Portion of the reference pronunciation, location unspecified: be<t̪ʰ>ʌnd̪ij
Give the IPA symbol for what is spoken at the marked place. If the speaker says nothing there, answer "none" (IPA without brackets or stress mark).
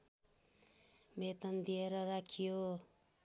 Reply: t̪